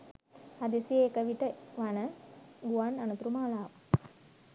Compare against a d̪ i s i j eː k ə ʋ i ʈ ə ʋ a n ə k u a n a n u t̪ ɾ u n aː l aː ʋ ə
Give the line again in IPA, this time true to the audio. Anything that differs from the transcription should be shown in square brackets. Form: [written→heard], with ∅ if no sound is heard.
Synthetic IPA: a d̪ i s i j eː k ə ʋ i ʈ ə ʋ a n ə [k→ɡ] u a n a n u t̪ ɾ u [n→m] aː l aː ʋ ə